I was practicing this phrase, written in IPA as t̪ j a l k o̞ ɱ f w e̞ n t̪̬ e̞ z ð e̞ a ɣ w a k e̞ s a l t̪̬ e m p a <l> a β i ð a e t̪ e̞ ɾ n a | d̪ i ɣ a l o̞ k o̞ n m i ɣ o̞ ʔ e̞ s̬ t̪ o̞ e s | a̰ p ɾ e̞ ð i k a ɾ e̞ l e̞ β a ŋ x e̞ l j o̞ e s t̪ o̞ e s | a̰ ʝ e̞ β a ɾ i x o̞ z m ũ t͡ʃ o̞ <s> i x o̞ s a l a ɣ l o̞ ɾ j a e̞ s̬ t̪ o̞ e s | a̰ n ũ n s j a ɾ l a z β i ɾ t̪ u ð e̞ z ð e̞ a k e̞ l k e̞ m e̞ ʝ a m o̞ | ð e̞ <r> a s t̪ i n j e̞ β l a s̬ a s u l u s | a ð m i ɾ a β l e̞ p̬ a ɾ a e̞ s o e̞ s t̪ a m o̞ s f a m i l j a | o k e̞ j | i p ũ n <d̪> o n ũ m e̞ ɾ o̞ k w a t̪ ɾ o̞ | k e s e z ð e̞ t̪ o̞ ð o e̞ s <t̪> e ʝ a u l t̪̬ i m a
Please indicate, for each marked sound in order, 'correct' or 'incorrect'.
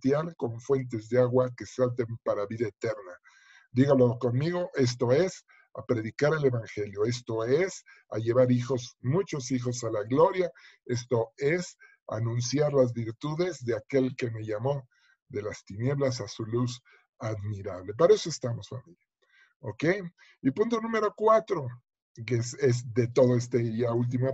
incorrect, correct, incorrect, incorrect, correct

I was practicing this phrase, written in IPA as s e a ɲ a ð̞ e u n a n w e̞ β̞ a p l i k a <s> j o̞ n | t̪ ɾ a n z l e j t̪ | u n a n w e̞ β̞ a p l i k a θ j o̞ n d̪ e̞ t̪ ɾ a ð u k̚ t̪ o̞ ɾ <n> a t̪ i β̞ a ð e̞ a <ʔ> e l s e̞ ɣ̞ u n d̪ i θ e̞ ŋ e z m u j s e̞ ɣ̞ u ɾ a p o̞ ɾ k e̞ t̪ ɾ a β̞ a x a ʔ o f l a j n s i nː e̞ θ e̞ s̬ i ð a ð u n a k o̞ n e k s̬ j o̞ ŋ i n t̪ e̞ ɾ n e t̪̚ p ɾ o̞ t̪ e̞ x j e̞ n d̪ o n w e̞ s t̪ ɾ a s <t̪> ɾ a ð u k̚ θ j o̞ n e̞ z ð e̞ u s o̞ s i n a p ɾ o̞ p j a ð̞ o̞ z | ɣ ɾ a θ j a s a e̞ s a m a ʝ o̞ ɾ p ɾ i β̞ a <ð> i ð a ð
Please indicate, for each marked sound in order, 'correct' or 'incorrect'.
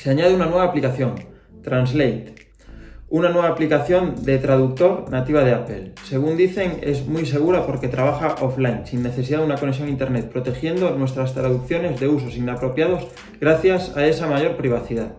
incorrect, correct, incorrect, correct, incorrect

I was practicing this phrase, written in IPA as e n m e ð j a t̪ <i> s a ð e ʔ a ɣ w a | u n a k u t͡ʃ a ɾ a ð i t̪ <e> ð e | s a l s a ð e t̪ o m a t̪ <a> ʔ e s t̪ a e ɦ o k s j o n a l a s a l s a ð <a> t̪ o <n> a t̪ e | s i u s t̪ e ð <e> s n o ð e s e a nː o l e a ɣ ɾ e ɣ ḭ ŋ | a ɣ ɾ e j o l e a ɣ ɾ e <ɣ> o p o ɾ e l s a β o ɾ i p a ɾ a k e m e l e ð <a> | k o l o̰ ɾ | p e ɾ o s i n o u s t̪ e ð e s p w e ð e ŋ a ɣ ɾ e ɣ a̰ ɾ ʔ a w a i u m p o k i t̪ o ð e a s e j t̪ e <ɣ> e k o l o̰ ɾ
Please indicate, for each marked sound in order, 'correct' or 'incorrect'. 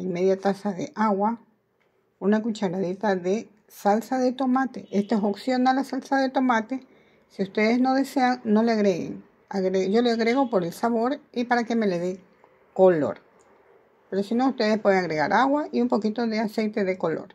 incorrect, incorrect, incorrect, incorrect, incorrect, correct, correct, incorrect, incorrect

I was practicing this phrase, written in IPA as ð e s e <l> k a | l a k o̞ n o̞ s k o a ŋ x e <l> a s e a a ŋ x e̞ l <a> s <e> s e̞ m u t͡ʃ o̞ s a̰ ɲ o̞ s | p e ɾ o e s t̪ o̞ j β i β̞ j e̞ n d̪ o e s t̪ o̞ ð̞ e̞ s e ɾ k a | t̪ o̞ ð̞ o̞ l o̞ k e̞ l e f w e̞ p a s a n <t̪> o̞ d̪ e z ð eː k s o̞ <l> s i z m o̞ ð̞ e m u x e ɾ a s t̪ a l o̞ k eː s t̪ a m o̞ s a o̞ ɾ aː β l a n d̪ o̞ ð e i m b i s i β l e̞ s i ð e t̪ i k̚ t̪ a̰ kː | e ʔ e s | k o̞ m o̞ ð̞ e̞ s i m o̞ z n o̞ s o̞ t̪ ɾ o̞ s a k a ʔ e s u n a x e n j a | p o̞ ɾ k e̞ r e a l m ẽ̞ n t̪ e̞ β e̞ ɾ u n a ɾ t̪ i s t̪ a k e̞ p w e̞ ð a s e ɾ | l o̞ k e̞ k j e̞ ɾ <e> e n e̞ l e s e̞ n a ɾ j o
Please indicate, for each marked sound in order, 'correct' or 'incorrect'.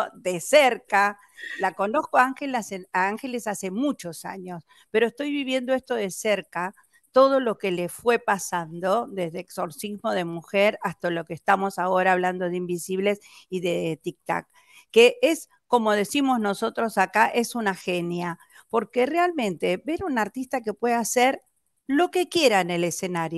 incorrect, correct, incorrect, incorrect, incorrect, incorrect, incorrect

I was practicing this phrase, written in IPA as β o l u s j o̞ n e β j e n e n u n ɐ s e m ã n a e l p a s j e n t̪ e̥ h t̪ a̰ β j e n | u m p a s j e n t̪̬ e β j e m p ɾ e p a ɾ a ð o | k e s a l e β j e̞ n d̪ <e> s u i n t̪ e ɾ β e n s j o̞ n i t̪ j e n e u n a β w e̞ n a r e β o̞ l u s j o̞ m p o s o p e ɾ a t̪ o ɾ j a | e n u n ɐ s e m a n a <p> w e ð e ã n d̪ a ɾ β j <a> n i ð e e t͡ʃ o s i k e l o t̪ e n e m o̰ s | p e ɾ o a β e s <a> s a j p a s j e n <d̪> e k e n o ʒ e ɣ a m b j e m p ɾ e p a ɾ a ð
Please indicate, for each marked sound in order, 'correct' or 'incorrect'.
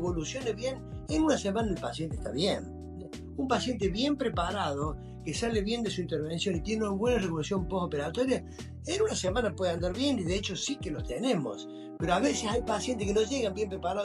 correct, correct, incorrect, incorrect, incorrect

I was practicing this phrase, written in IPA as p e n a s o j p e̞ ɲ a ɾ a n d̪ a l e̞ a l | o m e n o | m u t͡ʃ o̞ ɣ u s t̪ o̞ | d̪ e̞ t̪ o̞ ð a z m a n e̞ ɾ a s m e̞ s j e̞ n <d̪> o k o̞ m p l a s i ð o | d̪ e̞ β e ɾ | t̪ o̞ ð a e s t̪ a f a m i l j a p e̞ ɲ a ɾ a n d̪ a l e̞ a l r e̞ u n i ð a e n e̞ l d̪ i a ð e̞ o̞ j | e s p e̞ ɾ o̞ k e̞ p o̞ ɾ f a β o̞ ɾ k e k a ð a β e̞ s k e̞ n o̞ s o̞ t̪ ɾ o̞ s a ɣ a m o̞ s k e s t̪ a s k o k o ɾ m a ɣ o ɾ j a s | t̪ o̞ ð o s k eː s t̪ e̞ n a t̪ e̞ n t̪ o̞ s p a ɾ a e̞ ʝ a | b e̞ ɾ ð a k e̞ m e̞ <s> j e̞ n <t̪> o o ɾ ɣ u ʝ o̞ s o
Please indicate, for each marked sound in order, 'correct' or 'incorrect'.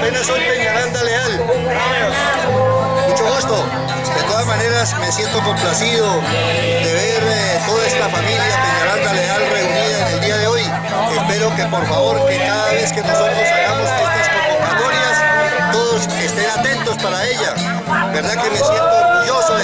incorrect, correct, correct

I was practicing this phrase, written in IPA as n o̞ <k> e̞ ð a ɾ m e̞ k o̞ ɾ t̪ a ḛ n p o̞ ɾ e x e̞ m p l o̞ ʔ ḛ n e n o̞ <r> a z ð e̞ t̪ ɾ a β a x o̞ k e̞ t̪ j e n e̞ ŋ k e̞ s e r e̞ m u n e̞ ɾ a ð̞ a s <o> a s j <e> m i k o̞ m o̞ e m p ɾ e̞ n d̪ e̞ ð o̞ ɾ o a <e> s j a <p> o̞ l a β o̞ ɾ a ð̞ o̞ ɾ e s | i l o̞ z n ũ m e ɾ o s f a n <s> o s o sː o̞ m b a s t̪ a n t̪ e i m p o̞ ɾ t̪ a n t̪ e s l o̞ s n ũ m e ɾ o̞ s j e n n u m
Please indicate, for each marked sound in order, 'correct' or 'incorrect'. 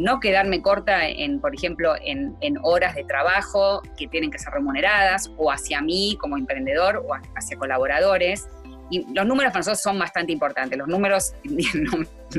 correct, incorrect, correct, incorrect, incorrect, incorrect, correct

